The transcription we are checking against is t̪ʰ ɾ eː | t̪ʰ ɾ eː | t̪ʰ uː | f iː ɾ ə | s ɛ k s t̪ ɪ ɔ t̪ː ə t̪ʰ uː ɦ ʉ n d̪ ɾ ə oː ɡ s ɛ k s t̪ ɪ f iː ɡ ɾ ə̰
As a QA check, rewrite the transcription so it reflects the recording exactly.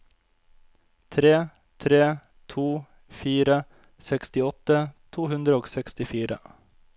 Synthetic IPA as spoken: t̪ʰ ɾ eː | t̪ʰ ɾ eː | t̪ʰ uː | f iː ɾ ə | s ɛ k s t̪ ɪ ɔ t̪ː ə t̪ʰ uː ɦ ʉ n d̪ ɾ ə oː ɡ s ɛ k s t̪ ɪ f iː ɾ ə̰